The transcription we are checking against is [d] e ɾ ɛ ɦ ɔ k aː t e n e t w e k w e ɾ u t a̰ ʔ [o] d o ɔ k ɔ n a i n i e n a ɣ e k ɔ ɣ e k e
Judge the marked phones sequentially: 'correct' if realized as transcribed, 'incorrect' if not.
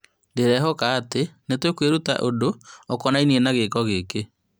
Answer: correct, correct

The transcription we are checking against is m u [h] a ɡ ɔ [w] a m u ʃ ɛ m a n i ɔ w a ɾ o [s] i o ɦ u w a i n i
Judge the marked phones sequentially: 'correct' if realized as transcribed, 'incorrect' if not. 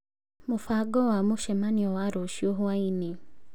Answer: incorrect: f, correct, incorrect: ʃ

